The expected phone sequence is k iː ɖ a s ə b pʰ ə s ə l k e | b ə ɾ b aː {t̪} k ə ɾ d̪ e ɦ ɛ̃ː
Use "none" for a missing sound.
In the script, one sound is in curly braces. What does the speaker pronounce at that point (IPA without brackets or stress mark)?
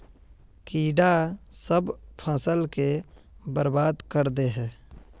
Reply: d̪